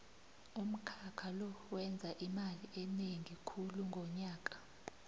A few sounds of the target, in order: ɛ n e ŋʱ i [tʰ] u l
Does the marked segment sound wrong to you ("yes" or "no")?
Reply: yes